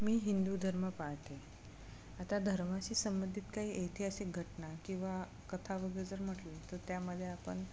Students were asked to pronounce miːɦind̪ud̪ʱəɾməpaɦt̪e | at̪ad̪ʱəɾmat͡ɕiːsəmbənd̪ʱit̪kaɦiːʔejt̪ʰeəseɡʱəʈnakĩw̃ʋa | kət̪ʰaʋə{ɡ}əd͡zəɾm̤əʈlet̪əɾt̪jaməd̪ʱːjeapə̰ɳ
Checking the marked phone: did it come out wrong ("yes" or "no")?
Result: no